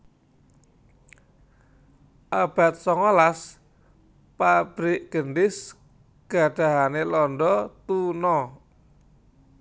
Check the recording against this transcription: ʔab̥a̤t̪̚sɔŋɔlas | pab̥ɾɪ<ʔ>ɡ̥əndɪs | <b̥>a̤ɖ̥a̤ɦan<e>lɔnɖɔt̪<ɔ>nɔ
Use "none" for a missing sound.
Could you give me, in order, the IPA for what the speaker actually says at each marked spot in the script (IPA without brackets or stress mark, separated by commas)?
ʔ, ɡ̥, e, u